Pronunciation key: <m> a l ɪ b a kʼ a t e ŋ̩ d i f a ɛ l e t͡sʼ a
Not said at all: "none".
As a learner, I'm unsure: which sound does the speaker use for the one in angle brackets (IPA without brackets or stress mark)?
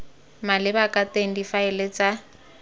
m